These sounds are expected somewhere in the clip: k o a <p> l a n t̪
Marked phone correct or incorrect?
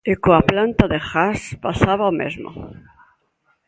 correct